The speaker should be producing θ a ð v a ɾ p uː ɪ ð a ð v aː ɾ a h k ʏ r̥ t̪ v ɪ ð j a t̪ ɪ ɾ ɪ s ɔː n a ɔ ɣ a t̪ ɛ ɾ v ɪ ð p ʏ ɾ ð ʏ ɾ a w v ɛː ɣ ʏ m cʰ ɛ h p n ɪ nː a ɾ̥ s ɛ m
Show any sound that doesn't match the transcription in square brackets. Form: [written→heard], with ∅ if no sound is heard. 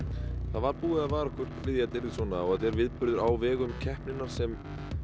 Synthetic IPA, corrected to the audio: θ a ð v a ɾ p uː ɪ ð a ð v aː ɾ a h k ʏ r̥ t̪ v ɪ ð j a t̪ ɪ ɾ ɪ s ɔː n a ɔ ɣ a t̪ ɛ ɾ v ɪ ð p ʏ ɾ ð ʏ ɾ a w v ɛː ɣ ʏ m cʰ ɛ h p n ɪ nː a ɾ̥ s ɛ m